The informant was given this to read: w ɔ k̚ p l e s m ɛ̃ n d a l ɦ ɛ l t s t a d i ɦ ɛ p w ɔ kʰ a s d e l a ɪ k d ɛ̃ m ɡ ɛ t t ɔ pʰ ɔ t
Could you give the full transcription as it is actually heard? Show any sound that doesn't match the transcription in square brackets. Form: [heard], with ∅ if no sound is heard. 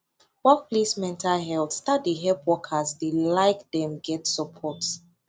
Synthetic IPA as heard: w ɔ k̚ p l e s m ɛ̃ n [t] a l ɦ ɛ l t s t a d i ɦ ɛ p w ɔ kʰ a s d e l a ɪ k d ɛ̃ m ɡ ɛ t [s] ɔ pʰ ɔ t